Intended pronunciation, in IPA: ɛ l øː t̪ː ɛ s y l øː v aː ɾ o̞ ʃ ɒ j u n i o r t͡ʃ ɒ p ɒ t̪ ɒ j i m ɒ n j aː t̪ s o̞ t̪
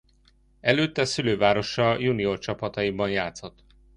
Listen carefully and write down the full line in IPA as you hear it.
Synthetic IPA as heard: ɛ l øː t̪ː ɛ s y l øː v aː ɾ o̞ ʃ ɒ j u n i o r t͡ʃ ɒ p ɒ t̪ ɒ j i b ɒ n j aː t̪ s o̞ t̪

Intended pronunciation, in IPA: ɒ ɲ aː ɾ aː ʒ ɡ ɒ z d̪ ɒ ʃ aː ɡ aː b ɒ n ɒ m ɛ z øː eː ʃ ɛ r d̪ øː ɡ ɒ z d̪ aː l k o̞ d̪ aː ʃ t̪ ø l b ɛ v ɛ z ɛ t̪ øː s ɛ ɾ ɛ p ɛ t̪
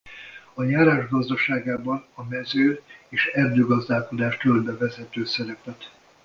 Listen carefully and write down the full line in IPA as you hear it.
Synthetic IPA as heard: ɒ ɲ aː ɾ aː ʒ ɡ ɒ z d̪ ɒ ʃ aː ɡ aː b ɒ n ɒ m ɛ z øː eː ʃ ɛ r d̪ øː ɡ ɒ z d̪ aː l k o̞ d̪ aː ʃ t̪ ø l b ɛ v ɛ z ɛ t̪ øː s ɛ ɾ ɛ p ɛ t̪

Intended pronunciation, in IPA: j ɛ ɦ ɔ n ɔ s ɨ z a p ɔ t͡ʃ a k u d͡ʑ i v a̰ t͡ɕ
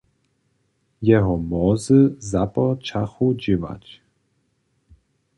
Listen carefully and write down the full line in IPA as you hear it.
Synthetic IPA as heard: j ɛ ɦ ɔ m ɔ z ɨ z a p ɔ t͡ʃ a x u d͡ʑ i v a̰ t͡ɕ

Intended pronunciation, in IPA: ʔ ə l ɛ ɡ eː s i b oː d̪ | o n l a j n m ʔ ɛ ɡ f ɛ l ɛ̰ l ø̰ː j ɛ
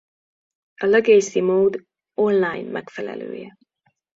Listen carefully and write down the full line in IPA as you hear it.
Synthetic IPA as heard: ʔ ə l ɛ ɡ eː s i m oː d̪ | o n l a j n m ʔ ɛ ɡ f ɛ l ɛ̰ l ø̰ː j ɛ

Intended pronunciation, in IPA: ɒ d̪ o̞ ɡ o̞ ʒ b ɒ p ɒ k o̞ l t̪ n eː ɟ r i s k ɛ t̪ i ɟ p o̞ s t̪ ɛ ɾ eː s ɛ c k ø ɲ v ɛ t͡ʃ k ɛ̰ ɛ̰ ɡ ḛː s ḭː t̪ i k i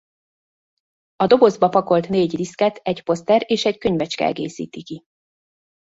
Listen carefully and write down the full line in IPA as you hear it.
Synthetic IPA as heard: ɒ d̪ o̞ b o̞ z b ɒ p ɒ k o̞ l t̪ n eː ɟ r i s k ɛ t̪ ɛ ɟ p o̞ s t̪ ɛ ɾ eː ʃ ɛ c k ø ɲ v ɛ t͡ʃ k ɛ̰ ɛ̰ ɡ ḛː s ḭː t̪ i k i

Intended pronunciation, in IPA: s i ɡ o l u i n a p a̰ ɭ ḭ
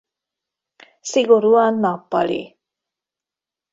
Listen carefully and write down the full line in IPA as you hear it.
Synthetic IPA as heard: s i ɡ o ɾ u a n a p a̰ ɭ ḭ

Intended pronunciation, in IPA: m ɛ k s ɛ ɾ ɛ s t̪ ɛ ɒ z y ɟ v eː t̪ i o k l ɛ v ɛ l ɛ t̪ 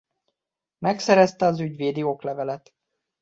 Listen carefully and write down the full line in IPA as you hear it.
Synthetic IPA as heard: m ɛ k s ɛ ɾ ɛ s t̪ ɛ ɒ z y ɟ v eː d̪ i o k l ɛ v ɛ l ɛ t̪

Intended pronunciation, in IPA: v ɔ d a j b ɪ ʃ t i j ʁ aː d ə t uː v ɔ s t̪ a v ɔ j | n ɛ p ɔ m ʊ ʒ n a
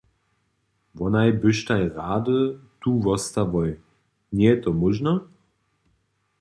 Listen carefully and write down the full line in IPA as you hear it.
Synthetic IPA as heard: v ɔ n a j b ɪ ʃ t a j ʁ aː d ə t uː v ɔ s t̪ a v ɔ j | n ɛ t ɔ m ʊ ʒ n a

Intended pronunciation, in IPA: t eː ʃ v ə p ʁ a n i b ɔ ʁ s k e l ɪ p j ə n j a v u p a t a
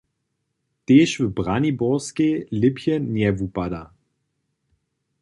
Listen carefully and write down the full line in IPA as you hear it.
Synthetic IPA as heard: t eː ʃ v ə b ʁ a n i b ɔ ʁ s k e l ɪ p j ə n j ɛ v u p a d a

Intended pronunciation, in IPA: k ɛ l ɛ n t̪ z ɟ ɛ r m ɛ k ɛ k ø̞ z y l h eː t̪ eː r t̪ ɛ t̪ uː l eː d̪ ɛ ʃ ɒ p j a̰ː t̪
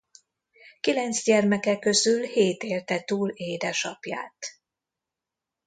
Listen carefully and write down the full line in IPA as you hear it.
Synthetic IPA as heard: k i l ɛ n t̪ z ɟ ɛ r m ɛ k ɛ k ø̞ z y l h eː t̪ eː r t̪ ɛ t̪ uː l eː d̪ ɛ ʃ ɒ p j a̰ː t̪

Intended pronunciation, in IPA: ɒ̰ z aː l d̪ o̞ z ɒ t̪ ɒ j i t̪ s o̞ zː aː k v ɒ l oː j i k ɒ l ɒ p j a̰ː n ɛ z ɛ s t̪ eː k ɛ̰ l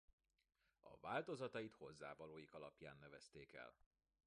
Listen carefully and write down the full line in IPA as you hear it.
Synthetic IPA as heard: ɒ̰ v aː l t̪ o̞ z ɒ t̪ ɒ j i t̪ h o̞ zː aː v ɒ l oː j i k ɒ l ɒ p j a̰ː nː ɛ v ɛ s t̪ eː k ɛ̰ l

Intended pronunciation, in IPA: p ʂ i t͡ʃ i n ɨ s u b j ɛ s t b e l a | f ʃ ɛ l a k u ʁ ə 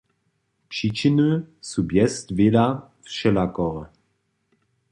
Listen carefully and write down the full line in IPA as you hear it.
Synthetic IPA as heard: p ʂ i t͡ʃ i n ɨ s u b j ɛ s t v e l a | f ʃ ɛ l a k ɔ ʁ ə

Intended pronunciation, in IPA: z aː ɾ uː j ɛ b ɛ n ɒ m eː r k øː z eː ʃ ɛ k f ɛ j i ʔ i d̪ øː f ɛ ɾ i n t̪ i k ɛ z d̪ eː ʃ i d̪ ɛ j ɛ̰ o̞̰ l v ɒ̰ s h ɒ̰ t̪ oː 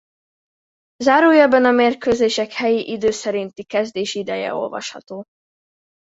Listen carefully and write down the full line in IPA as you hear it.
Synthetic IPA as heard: z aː ɾ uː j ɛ b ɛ n ɒ m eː r k øː z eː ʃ ɛ k h ɛ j i ʔ i d̪ øː s ɛ ɾ i n t̪ i k ɛ z d̪ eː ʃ i d̪ ɛ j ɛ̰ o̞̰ l v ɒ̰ ʃ h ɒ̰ t̪ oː

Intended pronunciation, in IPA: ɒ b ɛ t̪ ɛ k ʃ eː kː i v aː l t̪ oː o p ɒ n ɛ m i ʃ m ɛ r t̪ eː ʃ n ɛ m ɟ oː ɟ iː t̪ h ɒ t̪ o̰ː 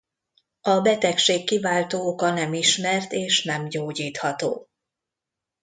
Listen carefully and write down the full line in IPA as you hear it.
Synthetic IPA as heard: ɒ b ɛ t̪ ɛ k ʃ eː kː i v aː l t̪ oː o k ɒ n ɛ m i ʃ m ɛ r t̪ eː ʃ n ɛ m ɟ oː ɟ iː t̪ h ɒ t̪ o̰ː

